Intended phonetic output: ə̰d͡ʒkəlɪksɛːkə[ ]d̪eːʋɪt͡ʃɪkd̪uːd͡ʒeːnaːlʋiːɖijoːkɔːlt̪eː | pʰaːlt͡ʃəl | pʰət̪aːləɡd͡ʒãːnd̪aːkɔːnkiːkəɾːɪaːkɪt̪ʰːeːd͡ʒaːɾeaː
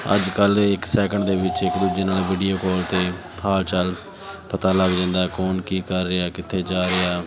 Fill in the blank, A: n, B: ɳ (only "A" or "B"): B